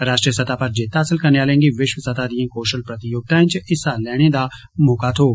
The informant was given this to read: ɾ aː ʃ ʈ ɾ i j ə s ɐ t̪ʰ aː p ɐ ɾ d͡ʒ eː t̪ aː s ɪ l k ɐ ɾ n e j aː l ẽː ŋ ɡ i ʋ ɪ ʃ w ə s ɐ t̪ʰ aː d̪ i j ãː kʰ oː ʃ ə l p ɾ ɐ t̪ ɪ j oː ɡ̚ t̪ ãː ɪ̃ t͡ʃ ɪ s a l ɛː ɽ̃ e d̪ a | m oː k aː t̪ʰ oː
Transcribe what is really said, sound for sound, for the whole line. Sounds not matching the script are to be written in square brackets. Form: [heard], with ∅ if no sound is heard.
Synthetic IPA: ɾ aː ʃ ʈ ɾ i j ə s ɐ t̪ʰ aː p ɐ ɾ d͡ʒ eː t̪ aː s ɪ l k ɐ ɾ n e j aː l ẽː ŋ ɡ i ʋ ɪ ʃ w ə s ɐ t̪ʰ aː d̪ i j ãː [k] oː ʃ ə l p ɾ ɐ t̪ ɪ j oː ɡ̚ t̪ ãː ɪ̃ t͡ʃ ɪ s a l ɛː ɽ̃ e d̪ a | m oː k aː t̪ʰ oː